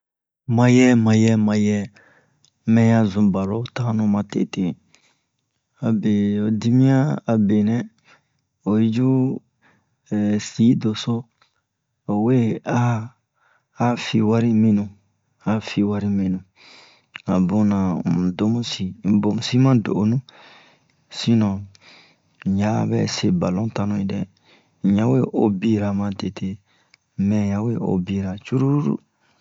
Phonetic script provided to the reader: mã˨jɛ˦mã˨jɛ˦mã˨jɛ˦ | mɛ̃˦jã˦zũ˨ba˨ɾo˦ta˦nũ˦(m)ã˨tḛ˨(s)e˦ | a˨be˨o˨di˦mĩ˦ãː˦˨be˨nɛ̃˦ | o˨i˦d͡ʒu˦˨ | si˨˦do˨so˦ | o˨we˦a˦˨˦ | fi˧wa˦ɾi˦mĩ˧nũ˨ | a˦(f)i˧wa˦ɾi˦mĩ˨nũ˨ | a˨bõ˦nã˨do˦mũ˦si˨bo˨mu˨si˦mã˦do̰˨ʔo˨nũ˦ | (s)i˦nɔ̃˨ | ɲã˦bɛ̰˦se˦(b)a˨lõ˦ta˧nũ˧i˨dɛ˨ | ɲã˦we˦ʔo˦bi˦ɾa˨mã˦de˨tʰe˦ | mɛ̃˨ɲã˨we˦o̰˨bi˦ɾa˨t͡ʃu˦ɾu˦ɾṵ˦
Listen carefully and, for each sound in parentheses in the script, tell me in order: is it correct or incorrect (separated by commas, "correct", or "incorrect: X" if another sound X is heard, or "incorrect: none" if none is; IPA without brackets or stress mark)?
correct, incorrect: t, correct, correct, correct